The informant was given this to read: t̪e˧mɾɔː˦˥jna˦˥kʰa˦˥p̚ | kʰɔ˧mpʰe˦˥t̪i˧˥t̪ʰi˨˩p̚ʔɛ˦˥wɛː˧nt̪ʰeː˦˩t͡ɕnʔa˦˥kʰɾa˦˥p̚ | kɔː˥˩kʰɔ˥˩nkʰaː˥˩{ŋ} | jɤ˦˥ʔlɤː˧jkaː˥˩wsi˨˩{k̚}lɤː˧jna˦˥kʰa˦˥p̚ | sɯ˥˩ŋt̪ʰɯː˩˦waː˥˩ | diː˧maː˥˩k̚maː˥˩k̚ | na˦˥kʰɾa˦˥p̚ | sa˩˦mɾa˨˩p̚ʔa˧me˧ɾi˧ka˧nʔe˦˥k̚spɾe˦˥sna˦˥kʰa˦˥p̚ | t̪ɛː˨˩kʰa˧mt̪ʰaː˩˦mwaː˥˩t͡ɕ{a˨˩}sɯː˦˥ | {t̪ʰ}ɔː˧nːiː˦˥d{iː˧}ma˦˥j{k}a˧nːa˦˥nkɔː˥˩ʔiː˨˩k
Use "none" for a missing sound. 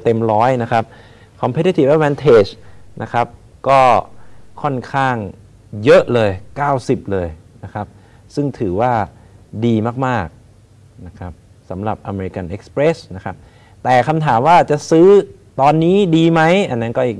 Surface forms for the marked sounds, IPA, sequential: ŋ, p̚, a˨˩, t̪, iː˧, ʔ

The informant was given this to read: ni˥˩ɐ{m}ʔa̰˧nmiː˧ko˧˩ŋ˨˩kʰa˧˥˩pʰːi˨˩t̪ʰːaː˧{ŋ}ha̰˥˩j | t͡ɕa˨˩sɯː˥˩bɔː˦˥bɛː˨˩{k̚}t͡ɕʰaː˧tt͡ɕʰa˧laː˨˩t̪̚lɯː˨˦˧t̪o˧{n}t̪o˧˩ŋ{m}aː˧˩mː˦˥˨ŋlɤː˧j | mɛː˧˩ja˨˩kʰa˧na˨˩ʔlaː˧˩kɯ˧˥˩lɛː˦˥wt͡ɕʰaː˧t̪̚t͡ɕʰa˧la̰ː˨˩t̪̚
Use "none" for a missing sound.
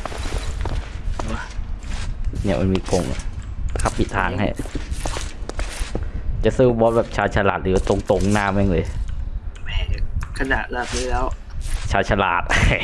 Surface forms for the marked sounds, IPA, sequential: m, ŋ, p̚, ŋ, n

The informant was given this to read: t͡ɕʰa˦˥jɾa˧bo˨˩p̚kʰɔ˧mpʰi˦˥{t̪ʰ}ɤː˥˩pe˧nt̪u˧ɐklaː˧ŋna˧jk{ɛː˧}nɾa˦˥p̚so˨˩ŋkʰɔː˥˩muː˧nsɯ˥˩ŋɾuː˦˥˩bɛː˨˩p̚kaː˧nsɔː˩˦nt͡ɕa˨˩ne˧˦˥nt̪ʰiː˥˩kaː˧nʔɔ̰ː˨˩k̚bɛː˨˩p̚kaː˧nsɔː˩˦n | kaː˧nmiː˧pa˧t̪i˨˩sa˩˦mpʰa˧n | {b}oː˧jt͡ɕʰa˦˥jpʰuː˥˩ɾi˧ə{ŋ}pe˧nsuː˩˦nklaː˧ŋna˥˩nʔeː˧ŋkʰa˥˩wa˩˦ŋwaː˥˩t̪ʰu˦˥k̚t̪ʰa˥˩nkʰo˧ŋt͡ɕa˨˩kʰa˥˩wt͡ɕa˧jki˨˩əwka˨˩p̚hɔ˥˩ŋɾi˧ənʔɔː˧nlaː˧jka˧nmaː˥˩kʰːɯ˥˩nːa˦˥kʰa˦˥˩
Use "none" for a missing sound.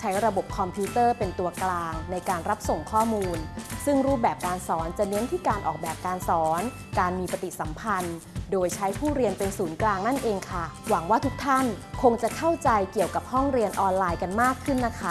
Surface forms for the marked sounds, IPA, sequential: t̪, aː˧, d, n

